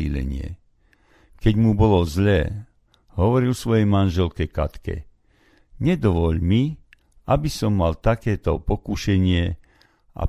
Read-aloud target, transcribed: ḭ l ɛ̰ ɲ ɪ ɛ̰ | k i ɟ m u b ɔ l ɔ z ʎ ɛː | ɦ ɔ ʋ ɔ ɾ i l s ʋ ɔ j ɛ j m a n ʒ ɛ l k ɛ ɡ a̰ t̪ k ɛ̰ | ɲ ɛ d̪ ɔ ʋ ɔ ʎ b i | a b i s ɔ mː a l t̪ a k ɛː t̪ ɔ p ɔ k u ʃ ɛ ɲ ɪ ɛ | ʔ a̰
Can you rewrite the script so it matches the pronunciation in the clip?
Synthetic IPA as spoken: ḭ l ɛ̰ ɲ ɪ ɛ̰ | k ɛ ɟ m u b ɔ l ɔ z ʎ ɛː | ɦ ɔ ʋ ɔ ɾ i l s ʋ ɔ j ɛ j m a n ʒ ɛ l k ɛ k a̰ t̪ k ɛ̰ | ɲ ɛ d̪ ɔ ʋ ɔ ʎ m i | a b i s ɔ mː a l t̪ a k ɛː t̪ ɔ p ɔ k u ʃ ɛ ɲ ɪ ɛ | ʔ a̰